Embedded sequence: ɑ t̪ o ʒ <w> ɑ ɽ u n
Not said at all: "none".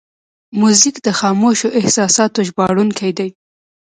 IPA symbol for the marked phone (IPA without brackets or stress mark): b